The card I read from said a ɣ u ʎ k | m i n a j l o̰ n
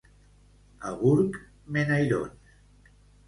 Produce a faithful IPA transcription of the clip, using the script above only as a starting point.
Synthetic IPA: a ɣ u ɾ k | m e n a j ɾ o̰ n